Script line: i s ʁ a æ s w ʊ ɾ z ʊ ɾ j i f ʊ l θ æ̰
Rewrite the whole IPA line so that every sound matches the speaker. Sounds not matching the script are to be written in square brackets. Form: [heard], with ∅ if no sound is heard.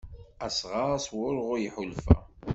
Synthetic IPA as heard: [æ] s ʁ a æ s w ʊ ɾ [ʁ] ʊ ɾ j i [ħ] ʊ l [f] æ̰